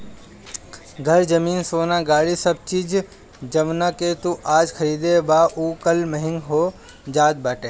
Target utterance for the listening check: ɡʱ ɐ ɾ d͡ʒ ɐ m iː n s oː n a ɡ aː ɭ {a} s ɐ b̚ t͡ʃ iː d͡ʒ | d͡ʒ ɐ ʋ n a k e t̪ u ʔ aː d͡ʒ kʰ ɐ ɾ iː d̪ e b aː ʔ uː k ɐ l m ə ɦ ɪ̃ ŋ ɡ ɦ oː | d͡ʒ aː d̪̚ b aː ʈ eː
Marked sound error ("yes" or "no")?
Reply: yes